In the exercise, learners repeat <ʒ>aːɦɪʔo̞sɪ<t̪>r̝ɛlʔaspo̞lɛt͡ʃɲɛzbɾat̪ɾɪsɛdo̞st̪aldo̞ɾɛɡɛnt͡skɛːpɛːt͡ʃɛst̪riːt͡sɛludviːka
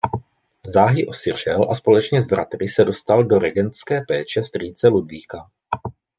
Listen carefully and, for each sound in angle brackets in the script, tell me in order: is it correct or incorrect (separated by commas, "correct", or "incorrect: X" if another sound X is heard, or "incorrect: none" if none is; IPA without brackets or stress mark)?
incorrect: z, incorrect: none